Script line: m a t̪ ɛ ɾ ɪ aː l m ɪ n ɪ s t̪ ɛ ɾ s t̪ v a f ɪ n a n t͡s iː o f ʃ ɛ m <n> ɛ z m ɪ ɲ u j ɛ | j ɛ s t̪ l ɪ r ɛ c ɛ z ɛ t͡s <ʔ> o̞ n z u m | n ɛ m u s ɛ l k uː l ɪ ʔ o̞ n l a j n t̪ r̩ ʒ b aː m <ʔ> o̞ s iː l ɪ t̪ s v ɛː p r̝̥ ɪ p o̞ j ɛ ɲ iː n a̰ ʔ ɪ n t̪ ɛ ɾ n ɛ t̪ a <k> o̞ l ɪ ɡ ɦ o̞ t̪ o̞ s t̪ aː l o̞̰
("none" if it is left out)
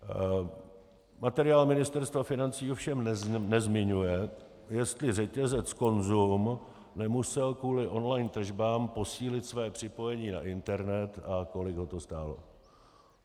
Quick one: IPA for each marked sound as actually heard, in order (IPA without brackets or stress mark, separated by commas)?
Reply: n, k, p, k